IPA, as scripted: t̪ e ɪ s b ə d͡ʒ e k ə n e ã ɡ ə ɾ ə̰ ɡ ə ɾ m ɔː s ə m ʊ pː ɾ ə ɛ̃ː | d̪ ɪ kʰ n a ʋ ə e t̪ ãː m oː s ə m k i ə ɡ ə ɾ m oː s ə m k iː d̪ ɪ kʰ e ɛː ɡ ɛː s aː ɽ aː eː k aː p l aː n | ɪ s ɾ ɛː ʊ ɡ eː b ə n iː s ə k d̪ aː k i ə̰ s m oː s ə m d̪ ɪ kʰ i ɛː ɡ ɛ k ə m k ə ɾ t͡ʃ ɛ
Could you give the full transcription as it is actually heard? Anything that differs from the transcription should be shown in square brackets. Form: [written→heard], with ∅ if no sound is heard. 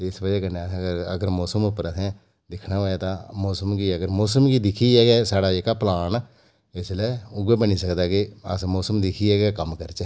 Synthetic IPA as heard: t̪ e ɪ s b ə d͡ʒ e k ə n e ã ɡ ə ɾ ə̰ ɡ ə ɾ m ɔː s ə m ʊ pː ɾ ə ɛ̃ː | d̪ ɪ kʰ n a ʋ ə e t̪ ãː m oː s ə m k i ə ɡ ə ɾ m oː s ə m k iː d̪ ɪ kʰ [e→i] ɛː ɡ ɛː s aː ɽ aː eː k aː p l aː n | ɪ s [ɾ→l] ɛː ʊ ɡ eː b ə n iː s ə k d̪ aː k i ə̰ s m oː s ə m d̪ ɪ kʰ i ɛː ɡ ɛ k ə m k ə ɾ t͡ʃ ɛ